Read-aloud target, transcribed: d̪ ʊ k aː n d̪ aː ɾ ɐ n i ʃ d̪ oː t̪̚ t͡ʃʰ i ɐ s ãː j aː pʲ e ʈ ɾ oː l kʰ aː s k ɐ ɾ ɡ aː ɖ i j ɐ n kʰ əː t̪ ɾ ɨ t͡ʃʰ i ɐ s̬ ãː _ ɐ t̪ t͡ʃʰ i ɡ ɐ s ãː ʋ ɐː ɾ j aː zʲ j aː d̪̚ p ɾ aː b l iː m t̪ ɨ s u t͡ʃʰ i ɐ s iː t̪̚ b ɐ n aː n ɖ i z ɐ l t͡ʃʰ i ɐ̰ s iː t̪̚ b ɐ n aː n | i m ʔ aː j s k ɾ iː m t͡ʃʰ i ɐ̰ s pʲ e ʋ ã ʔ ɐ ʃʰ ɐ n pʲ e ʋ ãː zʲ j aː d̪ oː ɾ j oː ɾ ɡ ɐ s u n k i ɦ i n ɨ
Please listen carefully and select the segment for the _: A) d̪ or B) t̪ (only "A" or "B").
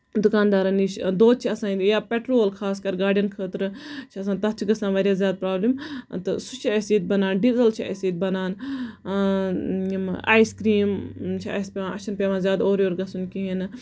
B